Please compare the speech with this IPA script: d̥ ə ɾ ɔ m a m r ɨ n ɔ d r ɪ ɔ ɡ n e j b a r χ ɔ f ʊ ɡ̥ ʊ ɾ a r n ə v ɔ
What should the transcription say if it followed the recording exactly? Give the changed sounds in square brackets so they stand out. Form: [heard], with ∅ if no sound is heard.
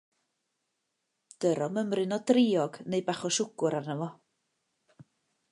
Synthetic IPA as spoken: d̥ ə ɾ ɔ m [ə] m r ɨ n ɔ d r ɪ ɔ ɡ n e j b a [∅] χ ɔ [ʃ] ʊ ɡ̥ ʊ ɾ a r n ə v ɔ